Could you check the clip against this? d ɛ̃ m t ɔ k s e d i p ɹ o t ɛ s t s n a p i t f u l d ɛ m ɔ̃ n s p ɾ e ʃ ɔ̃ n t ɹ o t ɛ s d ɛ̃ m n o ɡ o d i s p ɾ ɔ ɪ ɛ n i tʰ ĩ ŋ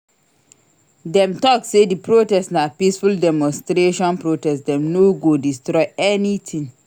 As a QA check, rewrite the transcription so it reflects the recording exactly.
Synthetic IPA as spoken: d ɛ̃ m t ɔ k s e d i p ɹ o t ɛ s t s n a p i s f u l d ɛ m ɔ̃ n s t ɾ e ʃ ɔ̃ n p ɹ o t ɛ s d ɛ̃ m n o ɡ o d i s t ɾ ɔ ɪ ɛ n i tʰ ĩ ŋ